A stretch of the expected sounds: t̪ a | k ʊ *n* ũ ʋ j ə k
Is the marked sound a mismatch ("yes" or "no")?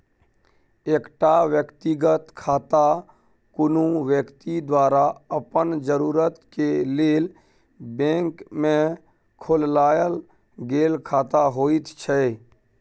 no